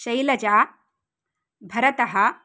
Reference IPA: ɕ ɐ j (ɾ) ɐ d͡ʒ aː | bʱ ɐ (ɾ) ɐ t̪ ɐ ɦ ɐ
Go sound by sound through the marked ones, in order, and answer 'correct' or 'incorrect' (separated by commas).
incorrect, correct